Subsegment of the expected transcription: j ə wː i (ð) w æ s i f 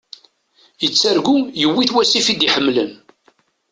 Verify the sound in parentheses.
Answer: incorrect: θ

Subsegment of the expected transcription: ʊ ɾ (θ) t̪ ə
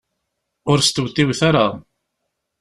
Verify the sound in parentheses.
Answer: incorrect: s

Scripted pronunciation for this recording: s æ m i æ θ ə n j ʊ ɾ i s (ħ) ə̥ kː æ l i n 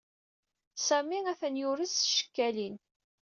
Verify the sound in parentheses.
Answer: incorrect: ʃ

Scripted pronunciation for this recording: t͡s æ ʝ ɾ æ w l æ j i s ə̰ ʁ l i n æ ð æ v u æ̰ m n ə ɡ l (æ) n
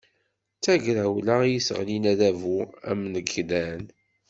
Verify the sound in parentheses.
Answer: correct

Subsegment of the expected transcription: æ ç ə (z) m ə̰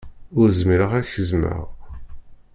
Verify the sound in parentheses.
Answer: correct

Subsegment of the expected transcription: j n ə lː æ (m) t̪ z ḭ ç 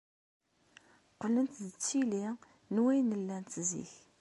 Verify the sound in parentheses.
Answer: incorrect: n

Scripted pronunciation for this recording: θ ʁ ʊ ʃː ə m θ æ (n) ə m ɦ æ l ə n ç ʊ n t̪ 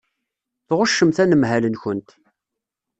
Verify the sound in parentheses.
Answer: correct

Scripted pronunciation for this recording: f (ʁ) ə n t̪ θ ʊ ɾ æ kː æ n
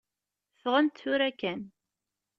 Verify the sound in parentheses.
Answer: correct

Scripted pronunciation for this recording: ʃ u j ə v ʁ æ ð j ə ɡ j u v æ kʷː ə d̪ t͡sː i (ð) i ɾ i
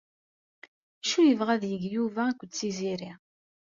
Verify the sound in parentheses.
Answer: incorrect: z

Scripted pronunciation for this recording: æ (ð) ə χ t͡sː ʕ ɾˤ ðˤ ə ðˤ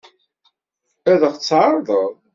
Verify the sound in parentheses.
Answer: correct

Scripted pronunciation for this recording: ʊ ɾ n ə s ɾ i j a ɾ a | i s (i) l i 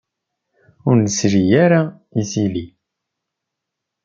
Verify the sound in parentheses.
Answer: correct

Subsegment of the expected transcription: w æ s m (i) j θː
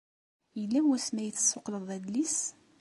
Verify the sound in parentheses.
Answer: incorrect: æ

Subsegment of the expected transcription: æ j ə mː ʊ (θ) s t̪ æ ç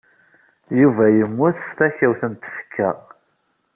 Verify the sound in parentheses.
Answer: correct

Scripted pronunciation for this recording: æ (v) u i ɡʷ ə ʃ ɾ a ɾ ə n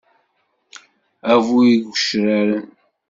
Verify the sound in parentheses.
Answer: correct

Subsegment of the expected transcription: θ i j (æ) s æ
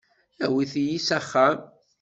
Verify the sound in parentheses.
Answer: incorrect: i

